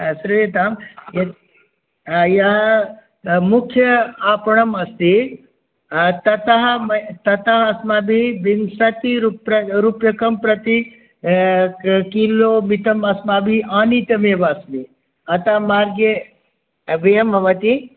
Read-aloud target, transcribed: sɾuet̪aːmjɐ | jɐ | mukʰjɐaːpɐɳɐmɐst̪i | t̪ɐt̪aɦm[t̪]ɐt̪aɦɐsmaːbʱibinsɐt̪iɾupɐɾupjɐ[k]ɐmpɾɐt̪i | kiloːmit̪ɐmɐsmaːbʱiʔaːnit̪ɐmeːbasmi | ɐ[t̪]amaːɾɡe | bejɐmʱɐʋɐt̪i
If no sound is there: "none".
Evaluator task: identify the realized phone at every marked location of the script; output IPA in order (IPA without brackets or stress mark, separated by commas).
t̪, k, t̪